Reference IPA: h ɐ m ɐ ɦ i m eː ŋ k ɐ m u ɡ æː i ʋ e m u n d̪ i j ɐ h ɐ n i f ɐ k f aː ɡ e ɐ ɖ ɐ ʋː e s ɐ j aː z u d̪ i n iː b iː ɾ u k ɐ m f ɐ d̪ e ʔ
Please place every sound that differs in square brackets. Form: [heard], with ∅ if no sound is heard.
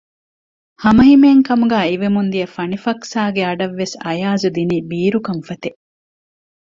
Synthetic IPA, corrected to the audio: h ɐ m ɐ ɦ i m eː ŋ k ɐ m u ɡ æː i ʋ e m u n d̪ i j ɐ [f] ɐ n i f ɐ k [s] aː ɡ e ɐ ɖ ɐ ʋː e s ɐ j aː z u d̪ i n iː b iː ɾ u k ɐ m f ɐ [t̪] e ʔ